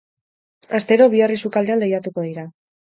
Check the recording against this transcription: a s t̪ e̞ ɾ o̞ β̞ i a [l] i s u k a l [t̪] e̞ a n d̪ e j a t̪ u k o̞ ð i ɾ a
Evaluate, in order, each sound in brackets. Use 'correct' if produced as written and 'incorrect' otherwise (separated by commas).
incorrect, incorrect